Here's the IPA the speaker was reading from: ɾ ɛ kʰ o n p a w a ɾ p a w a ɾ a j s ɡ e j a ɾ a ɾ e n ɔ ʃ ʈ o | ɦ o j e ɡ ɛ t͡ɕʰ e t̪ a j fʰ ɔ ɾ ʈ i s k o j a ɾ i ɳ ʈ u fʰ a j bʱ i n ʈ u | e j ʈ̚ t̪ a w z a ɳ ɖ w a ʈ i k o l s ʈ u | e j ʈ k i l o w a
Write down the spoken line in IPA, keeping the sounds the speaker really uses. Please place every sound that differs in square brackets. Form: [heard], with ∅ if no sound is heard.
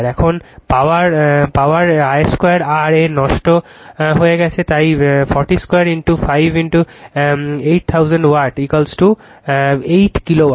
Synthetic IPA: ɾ ɛ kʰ o n p a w a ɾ p a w a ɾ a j s [k] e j a ɾ a ɾ e n ɔ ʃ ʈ o | ɦ o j e ɡ ɛ t͡ɕʰ e t̪ a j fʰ ɔ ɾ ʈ i s k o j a ɾ i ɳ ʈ u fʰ a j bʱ i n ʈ u | e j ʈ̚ [t̪ʰ] a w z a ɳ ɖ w a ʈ i k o l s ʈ u | e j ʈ k i l o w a